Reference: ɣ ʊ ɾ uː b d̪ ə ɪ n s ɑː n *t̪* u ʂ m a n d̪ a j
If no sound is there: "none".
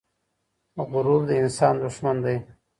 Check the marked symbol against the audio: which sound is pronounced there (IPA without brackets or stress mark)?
d̪